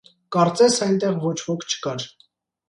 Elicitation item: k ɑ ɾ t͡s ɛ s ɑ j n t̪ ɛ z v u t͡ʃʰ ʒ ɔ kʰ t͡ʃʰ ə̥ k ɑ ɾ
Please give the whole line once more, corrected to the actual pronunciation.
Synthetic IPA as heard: k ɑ ɾ t͡s ɛ s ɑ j n t̪ ɛ ʁ v ɔ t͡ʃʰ v ɔ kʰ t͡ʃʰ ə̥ k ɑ ɾ